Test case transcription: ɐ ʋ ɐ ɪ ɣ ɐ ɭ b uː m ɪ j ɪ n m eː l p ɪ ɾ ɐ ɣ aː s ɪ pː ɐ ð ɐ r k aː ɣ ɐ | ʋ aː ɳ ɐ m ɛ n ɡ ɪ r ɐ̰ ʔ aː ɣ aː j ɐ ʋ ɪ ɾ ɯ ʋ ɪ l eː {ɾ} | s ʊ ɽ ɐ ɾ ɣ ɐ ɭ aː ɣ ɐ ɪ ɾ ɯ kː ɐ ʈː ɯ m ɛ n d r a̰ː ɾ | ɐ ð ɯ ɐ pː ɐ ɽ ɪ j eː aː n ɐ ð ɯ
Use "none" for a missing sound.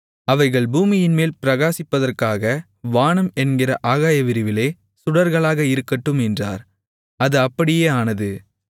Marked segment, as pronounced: none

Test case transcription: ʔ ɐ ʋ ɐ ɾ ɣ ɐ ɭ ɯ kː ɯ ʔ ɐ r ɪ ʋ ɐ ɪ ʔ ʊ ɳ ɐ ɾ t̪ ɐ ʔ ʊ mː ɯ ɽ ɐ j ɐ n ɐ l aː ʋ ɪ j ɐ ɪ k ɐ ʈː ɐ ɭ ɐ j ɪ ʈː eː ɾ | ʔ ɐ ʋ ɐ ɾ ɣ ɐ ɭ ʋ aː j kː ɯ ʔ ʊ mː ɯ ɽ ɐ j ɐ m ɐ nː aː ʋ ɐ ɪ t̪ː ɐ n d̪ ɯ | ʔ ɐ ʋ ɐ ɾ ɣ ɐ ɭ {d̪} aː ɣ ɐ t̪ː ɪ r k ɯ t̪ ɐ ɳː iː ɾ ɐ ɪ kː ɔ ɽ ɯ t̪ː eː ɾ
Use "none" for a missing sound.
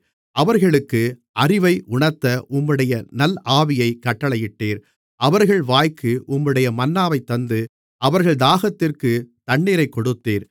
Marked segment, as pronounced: d̪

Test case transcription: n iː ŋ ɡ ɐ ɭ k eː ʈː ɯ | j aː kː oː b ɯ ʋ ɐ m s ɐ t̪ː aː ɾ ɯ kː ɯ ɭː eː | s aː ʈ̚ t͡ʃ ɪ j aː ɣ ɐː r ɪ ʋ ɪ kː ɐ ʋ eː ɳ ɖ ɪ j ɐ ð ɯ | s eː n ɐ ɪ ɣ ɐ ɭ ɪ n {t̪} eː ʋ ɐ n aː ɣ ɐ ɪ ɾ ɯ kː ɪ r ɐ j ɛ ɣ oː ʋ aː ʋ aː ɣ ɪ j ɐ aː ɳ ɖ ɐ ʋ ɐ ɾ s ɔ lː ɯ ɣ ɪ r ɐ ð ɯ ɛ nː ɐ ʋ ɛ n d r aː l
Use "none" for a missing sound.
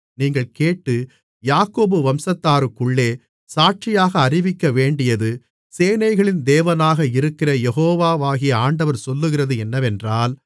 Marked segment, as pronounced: d̪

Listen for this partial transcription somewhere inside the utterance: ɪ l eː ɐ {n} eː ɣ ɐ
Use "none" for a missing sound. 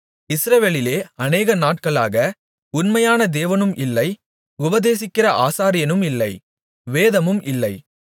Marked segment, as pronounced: n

